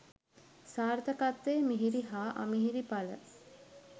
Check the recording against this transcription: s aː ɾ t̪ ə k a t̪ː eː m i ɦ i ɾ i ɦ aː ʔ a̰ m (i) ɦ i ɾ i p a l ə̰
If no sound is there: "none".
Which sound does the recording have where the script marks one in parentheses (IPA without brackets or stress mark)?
i